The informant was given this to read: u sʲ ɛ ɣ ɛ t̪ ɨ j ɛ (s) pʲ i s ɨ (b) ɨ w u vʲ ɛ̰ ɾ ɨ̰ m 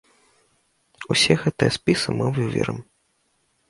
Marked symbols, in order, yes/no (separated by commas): yes, no